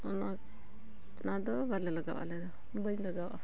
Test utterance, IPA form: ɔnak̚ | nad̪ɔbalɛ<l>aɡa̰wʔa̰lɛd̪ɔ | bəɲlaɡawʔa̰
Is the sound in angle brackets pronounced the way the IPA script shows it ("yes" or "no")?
yes